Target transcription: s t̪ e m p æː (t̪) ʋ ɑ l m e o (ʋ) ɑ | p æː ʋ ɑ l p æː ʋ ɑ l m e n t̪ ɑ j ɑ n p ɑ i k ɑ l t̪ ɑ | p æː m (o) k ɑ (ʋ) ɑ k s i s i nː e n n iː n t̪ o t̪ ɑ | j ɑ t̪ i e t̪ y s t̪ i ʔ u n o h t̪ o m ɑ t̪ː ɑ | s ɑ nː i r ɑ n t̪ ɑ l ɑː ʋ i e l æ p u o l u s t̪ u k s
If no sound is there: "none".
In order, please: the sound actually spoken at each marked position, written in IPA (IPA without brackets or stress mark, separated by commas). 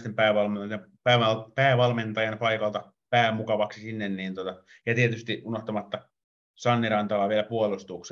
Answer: none, none, u, ʋ